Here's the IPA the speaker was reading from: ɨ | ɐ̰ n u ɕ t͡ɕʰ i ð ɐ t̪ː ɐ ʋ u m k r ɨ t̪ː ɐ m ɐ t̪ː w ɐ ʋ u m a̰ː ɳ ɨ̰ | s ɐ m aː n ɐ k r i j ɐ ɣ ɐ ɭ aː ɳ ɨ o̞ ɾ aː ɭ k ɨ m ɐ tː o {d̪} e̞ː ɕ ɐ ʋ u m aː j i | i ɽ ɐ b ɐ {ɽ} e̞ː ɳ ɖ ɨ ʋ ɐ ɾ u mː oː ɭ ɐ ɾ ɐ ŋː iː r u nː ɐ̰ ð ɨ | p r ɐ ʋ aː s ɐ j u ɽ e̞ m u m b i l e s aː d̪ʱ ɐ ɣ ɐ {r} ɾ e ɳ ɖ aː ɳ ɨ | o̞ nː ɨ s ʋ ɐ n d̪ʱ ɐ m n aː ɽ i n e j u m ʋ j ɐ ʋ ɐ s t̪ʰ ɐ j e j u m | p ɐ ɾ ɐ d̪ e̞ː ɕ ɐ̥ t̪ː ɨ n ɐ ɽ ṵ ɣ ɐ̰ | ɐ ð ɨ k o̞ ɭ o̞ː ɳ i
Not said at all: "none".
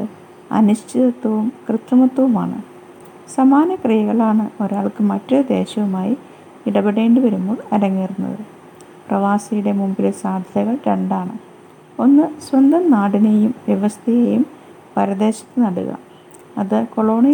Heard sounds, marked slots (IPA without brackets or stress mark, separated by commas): d̪, ɽ, ɭ